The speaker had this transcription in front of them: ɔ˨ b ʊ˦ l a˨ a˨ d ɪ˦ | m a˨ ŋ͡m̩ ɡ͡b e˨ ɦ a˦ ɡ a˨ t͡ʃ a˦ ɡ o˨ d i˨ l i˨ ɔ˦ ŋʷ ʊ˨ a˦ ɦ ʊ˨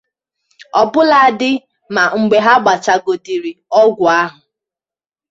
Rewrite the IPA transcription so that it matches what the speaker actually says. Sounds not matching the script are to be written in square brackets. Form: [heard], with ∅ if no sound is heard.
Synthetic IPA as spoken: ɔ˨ b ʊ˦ l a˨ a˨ d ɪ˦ | m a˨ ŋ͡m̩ ɡ͡b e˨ ɦ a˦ [ɡ͡b] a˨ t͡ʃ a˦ ɡ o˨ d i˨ [ɾ] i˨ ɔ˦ [ɡʷ] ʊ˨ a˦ ɦ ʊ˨

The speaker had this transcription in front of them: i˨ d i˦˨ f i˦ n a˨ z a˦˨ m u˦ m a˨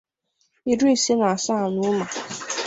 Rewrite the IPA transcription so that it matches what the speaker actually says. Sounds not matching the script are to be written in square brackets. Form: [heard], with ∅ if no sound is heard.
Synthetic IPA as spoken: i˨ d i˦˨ [s] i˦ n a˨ [s] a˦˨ [n] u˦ m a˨

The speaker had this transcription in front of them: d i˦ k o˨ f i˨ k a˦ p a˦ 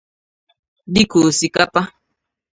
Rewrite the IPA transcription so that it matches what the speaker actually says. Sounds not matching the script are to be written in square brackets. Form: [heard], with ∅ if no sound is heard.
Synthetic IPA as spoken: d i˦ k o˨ [s] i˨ k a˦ p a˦

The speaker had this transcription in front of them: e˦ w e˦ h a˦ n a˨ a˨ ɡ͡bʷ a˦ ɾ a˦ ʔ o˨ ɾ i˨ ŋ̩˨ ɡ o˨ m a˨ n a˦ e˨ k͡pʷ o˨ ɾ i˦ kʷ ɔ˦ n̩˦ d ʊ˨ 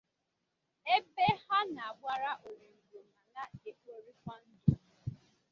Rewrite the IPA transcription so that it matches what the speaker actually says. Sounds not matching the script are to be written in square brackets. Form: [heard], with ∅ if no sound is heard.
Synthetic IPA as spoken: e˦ [b] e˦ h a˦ n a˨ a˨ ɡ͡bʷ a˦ ɾ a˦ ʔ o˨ ɾ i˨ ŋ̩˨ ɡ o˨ m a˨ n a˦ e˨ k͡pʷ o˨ ɾ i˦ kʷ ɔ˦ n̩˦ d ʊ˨

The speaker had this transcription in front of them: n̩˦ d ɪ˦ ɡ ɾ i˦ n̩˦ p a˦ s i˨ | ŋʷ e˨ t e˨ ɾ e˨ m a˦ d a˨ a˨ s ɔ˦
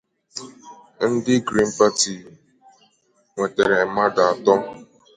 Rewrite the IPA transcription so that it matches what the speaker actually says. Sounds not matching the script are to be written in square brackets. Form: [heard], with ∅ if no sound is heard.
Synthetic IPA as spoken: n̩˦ d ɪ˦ ɡ ɾ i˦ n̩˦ p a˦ [t] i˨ | ŋʷ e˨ t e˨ ɾ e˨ m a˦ d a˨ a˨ [t] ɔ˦

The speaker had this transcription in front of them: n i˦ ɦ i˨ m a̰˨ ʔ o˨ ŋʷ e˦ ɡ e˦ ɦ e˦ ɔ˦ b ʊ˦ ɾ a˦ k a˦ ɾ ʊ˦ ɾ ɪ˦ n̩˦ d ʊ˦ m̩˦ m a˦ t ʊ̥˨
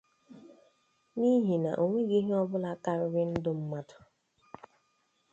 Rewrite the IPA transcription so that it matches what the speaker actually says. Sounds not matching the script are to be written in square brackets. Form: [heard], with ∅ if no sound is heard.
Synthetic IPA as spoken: n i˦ ɦ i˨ [n] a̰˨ ʔ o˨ ŋʷ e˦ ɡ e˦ ɦ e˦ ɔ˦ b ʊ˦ [l] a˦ k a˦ ɾ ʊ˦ ɾ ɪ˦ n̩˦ d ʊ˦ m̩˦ m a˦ t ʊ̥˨

